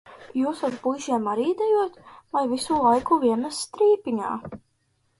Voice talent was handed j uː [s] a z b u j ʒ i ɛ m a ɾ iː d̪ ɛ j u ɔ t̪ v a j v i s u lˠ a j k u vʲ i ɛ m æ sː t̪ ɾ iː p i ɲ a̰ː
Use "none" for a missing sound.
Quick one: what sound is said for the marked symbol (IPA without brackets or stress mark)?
s